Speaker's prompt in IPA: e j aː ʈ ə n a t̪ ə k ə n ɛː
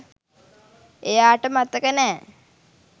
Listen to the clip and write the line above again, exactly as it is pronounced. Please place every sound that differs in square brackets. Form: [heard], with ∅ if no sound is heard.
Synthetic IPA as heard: e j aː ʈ ə [m] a t̪ ə k ə n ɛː